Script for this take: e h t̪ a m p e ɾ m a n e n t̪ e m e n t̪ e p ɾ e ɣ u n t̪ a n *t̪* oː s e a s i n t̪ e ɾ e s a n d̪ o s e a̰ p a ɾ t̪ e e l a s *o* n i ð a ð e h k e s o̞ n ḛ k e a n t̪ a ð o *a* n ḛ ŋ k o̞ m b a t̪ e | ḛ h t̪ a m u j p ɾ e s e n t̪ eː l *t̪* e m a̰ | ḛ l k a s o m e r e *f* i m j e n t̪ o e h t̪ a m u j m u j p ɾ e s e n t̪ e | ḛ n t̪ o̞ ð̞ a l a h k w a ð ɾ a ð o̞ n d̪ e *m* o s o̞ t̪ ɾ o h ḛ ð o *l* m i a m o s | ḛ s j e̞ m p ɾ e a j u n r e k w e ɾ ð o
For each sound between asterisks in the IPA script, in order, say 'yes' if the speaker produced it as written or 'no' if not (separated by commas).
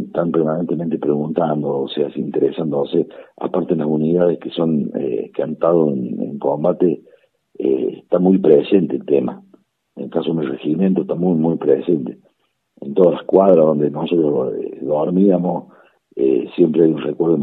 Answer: no, no, no, yes, no, no, no